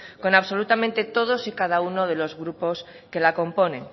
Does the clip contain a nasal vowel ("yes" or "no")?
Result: yes